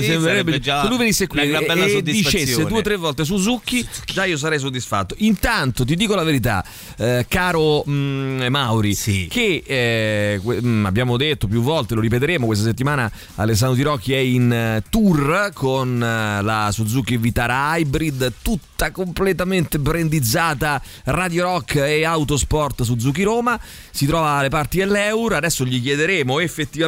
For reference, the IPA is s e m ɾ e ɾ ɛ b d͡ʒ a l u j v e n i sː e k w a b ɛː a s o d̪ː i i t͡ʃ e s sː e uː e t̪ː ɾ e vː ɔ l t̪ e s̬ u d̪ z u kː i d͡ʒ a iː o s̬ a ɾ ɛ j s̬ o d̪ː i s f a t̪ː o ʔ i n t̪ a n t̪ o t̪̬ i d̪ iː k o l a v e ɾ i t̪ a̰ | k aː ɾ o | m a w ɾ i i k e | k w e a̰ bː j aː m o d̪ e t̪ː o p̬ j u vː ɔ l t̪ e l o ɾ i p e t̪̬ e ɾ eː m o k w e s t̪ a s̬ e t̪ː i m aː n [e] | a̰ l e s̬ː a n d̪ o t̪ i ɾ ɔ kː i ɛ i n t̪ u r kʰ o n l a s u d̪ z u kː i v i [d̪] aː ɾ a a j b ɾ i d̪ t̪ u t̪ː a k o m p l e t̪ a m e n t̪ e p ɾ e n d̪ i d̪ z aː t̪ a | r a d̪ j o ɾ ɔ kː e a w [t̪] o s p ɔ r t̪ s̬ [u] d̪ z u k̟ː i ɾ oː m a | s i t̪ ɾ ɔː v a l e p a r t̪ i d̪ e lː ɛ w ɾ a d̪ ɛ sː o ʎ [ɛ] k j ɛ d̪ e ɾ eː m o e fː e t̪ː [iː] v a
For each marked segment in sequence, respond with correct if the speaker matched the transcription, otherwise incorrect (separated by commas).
incorrect, incorrect, correct, correct, incorrect, incorrect